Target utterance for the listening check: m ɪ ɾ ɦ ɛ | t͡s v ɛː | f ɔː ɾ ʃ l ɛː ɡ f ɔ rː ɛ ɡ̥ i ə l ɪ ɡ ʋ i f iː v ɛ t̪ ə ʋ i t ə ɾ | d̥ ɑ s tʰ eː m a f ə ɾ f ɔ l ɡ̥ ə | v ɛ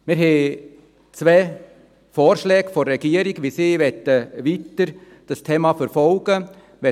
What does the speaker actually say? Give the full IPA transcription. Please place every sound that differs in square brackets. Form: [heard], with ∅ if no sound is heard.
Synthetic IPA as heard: m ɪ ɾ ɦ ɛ | t͡s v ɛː | f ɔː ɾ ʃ l ɛː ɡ f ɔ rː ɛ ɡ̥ i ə [ɾ] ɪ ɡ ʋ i [s] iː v ɛ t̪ ə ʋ i t ə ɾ | d̥ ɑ s tʰ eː m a f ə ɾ f ɔ l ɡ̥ ə | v ɛ